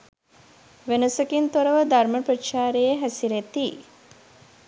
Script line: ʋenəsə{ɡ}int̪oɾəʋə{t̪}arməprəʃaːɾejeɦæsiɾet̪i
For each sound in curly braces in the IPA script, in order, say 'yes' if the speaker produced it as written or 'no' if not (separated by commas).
no, no